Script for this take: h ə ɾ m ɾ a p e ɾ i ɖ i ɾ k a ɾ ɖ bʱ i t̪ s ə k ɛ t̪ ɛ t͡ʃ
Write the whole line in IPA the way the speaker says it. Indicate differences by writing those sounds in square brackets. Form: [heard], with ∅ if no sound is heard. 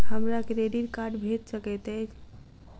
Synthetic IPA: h ə [∅] m ɾ a [k] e ɾ [e] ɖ i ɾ k a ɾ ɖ bʱ [e] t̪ s ə k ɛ t̪ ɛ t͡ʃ